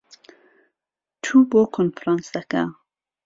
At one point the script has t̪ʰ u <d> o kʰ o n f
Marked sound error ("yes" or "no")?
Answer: yes